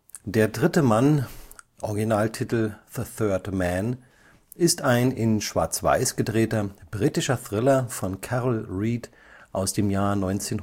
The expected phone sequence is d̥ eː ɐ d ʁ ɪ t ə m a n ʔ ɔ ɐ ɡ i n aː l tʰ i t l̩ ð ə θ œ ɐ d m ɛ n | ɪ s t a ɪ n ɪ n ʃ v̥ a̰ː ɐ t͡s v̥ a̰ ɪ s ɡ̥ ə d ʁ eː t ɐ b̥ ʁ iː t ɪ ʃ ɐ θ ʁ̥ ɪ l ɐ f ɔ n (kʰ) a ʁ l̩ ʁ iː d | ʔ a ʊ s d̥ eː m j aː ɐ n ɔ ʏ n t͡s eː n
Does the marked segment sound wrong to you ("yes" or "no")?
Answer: no